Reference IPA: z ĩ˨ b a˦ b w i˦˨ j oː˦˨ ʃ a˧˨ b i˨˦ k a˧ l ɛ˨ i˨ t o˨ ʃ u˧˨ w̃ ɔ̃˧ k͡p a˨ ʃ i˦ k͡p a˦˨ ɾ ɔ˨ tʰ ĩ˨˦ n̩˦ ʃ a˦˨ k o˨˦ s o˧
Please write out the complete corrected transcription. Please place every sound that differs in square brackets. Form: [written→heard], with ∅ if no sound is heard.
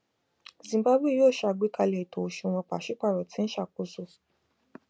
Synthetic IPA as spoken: z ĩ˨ b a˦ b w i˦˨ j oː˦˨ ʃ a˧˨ [b→ɡ͡b] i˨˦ k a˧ l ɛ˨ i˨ t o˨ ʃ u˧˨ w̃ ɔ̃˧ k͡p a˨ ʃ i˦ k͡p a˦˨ ɾ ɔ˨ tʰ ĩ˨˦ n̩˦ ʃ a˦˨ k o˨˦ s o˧